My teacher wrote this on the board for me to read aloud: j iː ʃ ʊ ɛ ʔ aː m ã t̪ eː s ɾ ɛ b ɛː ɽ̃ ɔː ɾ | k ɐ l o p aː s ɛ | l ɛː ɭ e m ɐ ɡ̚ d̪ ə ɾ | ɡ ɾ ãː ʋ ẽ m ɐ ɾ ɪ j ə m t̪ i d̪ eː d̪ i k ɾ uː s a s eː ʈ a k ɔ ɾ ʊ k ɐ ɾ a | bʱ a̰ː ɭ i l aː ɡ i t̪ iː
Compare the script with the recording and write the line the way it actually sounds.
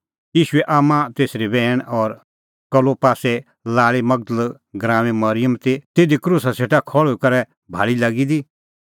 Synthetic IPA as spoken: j iː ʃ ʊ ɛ ʔ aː m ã t̪ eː s ɾ i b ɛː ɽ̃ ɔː ɾ | k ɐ l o p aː s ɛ | l aː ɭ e m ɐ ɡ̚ d̪ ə l | ɡ ɾ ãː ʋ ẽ m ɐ ɾ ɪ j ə m t̪ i t̪ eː d̪ i k ɾ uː s a s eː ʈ a kʰ ɔ ɭ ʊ k ɐ ɾ ɛ | bʱ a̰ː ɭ i l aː ɡ i d̪ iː

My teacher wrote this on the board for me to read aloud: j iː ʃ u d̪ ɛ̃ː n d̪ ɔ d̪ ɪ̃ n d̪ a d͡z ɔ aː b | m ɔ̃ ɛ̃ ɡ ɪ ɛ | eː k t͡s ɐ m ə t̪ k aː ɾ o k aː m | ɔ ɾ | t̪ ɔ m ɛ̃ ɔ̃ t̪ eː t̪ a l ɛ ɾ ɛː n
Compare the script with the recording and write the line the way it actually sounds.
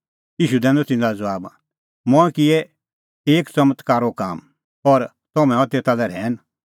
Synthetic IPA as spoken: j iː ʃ u d̪ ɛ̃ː n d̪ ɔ t̪ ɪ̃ n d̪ a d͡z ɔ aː b | m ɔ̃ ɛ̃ k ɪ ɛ | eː k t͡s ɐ m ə t̪ k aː ɾ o k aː m | ɔ ɾ | t̪ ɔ m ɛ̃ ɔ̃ t̪ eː t̪ a l ɛ ɾ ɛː n

